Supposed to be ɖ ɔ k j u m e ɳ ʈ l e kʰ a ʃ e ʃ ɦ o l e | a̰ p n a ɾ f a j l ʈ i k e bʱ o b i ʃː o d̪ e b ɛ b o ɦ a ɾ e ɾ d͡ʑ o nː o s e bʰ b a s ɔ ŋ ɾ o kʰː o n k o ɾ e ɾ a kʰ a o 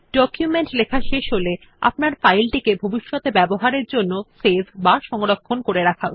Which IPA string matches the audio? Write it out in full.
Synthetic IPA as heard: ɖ ɔ k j u m e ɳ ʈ l e kʰ a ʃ e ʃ ɦ o l e | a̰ p n a ɾ f a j l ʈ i k e bʱ o b i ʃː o t̪ e b ɛ b o ɦ a ɾ e ɾ d͡ʑ o nː o s e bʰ b a ʃ ɔ ŋ ɾ o kʰː o n k o ɾ e ɾ a kʰ a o